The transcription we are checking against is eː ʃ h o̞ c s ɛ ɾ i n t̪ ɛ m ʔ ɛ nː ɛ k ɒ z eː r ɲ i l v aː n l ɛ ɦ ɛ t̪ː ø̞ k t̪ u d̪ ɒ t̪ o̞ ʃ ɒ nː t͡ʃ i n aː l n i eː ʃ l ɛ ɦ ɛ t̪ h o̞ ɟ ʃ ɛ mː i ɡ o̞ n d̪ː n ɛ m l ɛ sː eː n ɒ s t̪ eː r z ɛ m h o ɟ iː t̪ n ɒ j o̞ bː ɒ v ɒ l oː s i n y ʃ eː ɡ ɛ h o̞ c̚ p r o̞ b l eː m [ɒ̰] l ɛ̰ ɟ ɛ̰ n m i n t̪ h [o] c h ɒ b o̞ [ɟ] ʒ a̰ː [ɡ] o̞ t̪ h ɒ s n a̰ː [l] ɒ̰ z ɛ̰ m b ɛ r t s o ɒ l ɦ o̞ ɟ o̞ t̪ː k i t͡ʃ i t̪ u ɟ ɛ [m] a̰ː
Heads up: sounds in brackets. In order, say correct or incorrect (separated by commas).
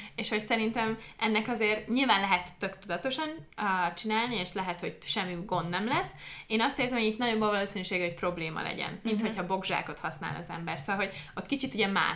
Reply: correct, correct, incorrect, incorrect, correct, correct